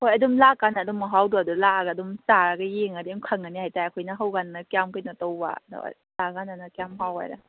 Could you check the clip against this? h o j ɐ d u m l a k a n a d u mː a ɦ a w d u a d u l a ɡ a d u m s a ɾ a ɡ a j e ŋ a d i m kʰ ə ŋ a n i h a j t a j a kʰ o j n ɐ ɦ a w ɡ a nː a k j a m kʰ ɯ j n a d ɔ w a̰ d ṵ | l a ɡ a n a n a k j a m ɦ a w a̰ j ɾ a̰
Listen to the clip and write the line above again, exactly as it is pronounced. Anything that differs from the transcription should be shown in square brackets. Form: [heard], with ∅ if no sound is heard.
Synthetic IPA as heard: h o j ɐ d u m l a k a n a d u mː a ɦ a w d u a d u l a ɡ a d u m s a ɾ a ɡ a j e ŋ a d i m kʰ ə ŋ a n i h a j t a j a kʰ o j n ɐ ɦ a w ɡ a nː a k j a m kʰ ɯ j n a [t] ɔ w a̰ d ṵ | l a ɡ a n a n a k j a m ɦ a w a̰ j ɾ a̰